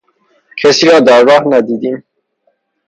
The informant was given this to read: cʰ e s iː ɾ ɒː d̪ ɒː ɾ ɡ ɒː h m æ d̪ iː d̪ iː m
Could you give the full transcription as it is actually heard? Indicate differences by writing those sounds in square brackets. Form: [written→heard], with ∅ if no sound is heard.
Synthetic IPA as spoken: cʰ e s iː ɾ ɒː d̪ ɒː ɾ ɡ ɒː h [m→n] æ d̪ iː d̪ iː m